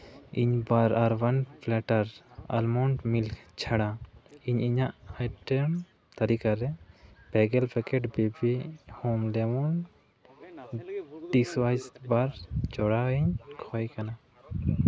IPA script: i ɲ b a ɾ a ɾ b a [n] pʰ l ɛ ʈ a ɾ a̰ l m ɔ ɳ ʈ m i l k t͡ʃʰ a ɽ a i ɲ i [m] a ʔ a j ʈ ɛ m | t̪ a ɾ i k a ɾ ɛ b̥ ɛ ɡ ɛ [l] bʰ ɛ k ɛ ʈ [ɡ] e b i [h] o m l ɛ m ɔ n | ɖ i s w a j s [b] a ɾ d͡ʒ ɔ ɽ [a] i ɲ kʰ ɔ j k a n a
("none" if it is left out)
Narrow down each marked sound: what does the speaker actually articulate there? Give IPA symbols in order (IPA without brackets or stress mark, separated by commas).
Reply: n, ɲ, l, b, h, b, a